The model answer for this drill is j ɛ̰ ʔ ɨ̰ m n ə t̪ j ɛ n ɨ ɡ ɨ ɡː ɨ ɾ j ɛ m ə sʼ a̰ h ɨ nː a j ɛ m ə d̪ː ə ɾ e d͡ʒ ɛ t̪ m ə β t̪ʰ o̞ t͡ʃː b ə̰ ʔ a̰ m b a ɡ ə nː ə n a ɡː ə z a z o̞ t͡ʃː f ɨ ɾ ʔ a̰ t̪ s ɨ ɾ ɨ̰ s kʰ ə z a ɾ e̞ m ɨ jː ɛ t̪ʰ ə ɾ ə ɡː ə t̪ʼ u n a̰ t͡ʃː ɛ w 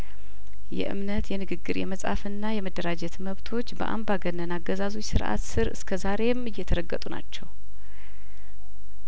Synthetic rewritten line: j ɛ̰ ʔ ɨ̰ m n ə t̪ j ɛ n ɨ ɡ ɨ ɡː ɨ ɾ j ɛ m ə sʼ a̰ f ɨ nː a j ɛ m ə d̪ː ə ɾ a d͡ʒ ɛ t̪ m ə β t̪ʰ o̞ t͡ʃː b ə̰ ʔ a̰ m b a ɡ ə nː ə n a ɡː ə z a z o̞ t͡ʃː s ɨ ɾ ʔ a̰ t̪ s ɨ ɾ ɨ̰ s kʰ ə z a ɾ e̞ m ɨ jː ɛ t̪ʰ ə ɾ ə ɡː ə t̪ʼ u n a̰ t͡ʃː ɛ w

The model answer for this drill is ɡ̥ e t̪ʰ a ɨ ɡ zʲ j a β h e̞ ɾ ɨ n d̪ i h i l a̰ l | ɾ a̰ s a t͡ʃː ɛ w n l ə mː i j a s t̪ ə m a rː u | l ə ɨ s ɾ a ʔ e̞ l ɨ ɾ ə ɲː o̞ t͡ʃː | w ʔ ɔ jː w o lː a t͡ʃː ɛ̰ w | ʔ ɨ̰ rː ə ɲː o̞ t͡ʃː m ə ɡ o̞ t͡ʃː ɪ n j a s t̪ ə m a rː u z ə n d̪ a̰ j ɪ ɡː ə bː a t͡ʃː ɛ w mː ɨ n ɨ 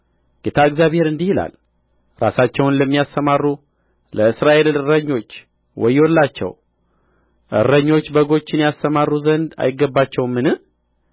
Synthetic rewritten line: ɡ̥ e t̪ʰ a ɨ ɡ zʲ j a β h e̞ ɾ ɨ n d̪ i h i l a̰ l | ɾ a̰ s a t͡ʃː ɛ w n l ə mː i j a s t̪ ə m a rː u | l ə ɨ s ɾ a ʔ e̞ l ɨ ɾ ə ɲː o̞ t͡ʃː | w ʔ ɔ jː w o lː a t͡ʃː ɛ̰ w | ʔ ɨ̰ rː ə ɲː o̞ t͡ʃː b ə ɡ o̞ t͡ʃː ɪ n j a s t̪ ə m a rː u z ə n d̪ a̰ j ɪ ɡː ə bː a t͡ʃː ɛ w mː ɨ n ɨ

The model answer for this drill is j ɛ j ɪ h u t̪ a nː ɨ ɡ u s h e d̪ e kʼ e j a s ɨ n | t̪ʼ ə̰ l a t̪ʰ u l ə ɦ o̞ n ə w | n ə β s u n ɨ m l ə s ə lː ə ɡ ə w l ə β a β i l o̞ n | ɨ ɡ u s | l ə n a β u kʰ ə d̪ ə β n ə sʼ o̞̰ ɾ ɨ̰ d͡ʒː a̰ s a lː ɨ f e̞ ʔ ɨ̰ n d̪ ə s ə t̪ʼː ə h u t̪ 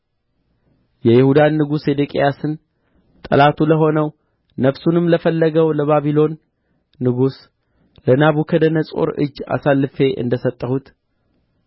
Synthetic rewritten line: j ɛ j ɪ h u d̪ a nː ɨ ɡ u s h e d̪ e kʼ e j a s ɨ n | t̪ʼ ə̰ l a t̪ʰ u l ə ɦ o̞ n ə w | n ə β s u n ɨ m l ə f ə lː ə ɡ ə w l ə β a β i l o̞ nː | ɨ ɡ u s | l ə n a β u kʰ ə d̪ ə n ə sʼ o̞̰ ɾ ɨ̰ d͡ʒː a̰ s a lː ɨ f e̞ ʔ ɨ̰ n d̪ ə s ə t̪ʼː ə h u t̪

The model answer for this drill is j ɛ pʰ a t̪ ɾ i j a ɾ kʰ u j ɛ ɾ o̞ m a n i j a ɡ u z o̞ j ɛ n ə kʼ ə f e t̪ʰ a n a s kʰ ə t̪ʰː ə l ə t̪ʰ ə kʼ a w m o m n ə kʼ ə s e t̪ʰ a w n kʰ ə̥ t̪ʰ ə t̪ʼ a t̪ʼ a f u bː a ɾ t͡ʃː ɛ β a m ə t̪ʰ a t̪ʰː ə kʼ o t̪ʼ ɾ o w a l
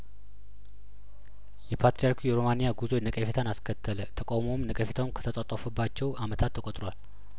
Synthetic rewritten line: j ɛ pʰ a t̪ ɾ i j a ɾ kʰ u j ɛ ɾ o̞ m a n i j a ɡ u z o̞ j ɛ n ə kʼ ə f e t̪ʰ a n a s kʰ ə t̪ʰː ə l ə t̪ʰ ə kʼ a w m o m n ə kʼ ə f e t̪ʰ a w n kʰ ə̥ t̪ʰ ə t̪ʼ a t̪ʼ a f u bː a t͡ʃː ɛ w a m ə t̪ʰ a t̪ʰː ə kʼ o t̪ʼ ɾ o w a l

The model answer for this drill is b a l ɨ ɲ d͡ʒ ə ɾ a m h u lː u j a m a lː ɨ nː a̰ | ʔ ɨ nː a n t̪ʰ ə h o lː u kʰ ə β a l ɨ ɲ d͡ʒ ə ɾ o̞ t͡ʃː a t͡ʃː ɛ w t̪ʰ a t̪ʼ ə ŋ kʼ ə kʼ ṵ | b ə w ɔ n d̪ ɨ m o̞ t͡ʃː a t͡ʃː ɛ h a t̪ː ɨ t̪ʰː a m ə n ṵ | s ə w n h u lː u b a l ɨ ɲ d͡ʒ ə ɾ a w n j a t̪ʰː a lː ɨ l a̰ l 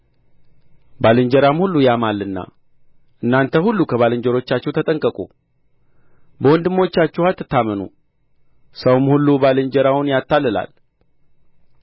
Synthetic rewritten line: b a l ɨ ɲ d͡ʒ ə ɾ a m h u lː u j a m a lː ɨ nː a̰ | ʔ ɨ nː a n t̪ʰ ə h u lː u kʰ ə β a l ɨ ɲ d͡ʒ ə ɾ o̞ t͡ʃː a t͡ʃː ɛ w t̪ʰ ə t̪ʼ ə ŋ kʼ ə kʼ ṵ | b ə w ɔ n d̪ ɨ m o̞ t͡ʃː a t͡ʃː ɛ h a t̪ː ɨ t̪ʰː a m ə n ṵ | s ə w m h u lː u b a l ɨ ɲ d͡ʒ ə ɾ a w n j a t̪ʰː a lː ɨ l a̰ l

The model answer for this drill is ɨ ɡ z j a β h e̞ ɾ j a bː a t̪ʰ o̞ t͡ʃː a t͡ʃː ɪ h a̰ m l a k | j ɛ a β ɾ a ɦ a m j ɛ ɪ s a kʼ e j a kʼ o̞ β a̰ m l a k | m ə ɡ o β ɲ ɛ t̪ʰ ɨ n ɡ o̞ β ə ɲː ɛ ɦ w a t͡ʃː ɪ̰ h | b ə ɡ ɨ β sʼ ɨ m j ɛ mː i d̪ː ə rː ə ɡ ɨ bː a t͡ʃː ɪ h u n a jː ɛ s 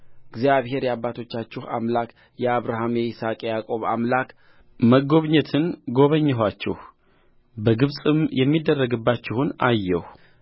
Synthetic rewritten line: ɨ ɡ z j a β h e̞ ɾ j a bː a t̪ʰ o̞ t͡ʃː a t͡ʃː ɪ h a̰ m l a k | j ɛ a β ɾ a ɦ a m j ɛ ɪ s a kʼ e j a kʼ o̞ β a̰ m l a k | m ə ɡ o β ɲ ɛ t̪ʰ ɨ n ɡ o̞ β ə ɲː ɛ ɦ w a t͡ʃː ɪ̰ h | b ə ɡ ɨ β sʼ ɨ m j ɛ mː i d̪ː ə rː ə ɡ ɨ bː a t͡ʃː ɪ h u n a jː ɛ h

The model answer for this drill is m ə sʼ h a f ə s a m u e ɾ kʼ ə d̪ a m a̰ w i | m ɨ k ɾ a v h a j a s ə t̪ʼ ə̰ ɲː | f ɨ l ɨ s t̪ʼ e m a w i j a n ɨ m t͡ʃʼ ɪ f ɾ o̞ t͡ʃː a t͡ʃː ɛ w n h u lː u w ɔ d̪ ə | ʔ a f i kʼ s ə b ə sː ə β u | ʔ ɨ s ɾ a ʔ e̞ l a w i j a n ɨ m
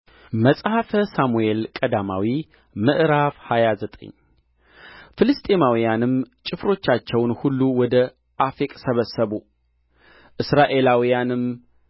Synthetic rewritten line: m ə sʼ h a f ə s a m u e l kʼ ə d̪ a m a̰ w i | m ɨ ʔ ɾ a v h a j a z ə t̪ʼ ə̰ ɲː | f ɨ l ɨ s t̪ʼ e m a w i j a n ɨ m t͡ʃʼ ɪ f ɾ o̞ t͡ʃː a t͡ʃː ɛ w n h u lː u w ɔ d̪ ə | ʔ a f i kʼ s ə β ə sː ə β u | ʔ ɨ s ɾ a ʔ e̞ l a w i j a n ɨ m

